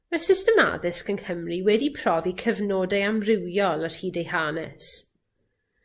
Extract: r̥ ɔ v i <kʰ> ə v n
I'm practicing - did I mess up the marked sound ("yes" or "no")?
no